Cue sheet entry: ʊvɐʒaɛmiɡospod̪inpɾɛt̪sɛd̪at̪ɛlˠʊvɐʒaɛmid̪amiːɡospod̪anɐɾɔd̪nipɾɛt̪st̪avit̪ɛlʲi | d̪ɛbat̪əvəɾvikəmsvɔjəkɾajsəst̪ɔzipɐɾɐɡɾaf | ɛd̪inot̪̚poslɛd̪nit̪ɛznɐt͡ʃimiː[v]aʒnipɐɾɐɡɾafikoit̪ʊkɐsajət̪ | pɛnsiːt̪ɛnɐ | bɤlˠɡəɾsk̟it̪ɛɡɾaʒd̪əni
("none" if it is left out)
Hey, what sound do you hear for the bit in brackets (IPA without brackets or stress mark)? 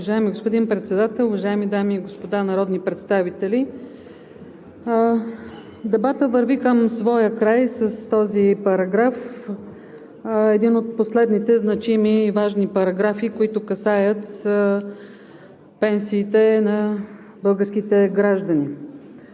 v